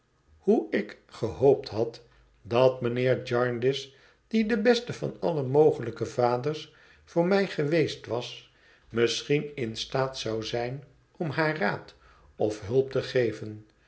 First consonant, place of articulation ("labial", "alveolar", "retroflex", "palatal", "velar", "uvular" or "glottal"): glottal